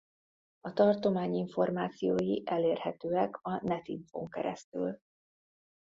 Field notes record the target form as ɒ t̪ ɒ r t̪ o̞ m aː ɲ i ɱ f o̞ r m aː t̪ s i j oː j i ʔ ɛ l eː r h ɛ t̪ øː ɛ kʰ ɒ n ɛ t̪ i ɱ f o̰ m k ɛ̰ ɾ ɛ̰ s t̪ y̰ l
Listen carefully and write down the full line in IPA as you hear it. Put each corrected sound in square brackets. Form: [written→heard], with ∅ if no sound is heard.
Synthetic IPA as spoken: ɒ t̪ ɒ r t̪ o̞ m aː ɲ i ɱ f o̞ r m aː t̪ s i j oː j i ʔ ɛ l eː r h ɛ t̪ øː ɛ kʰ ɒ n ɛ t̪ i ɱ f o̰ [m→ŋ] k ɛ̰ ɾ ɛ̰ s t̪ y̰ l